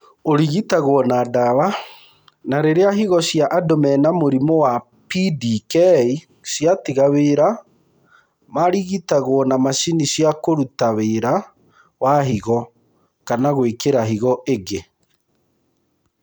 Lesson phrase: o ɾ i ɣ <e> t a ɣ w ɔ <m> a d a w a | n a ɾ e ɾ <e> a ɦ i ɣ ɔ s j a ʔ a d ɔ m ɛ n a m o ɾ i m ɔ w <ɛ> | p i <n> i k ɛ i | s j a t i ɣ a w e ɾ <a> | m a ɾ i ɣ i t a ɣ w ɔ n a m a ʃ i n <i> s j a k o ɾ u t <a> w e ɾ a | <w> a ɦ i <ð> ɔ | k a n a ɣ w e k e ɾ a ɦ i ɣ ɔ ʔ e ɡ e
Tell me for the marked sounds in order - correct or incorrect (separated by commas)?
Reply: incorrect, incorrect, correct, incorrect, incorrect, correct, correct, correct, correct, incorrect